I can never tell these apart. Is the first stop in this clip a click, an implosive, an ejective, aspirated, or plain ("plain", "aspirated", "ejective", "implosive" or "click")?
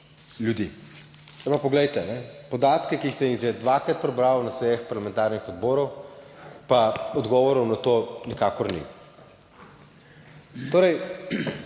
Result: plain